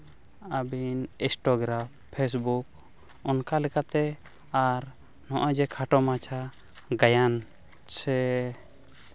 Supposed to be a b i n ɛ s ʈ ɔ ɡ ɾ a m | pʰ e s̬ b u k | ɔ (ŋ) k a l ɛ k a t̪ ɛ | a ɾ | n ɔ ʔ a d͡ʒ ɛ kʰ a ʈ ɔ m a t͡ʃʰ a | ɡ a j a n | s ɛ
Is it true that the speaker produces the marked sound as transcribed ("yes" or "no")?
no